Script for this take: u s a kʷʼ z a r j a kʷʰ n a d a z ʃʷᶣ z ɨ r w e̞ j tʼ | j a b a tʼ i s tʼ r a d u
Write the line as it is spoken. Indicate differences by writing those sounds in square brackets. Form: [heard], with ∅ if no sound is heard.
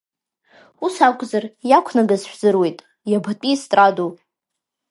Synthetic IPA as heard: u s a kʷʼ z a r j a kʷʰ n a [ɡ] a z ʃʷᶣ z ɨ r w e̞ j tʼ | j a b a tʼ i s tʼ r a d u